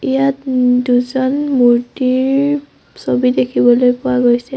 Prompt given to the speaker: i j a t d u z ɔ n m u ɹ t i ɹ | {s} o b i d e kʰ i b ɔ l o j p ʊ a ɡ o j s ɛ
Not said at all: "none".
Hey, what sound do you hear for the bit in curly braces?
s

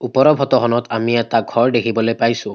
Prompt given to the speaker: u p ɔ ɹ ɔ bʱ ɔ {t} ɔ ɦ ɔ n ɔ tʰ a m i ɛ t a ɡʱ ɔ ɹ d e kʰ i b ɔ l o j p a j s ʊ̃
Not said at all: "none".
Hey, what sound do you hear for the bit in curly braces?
t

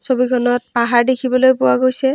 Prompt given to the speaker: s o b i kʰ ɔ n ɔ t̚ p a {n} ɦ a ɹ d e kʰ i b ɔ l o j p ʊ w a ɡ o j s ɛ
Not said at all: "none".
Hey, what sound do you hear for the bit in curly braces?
none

